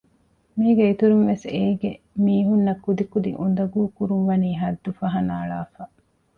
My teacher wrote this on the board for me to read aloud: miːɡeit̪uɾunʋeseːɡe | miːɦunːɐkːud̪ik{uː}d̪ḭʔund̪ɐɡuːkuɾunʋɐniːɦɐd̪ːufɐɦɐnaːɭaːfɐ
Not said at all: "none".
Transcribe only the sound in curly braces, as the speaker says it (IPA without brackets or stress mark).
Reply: u